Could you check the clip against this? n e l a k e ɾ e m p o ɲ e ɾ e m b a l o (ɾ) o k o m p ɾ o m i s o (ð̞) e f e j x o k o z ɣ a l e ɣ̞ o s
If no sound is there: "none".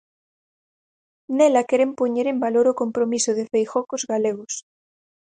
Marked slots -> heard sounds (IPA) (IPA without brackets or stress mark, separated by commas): ɾ, ð̞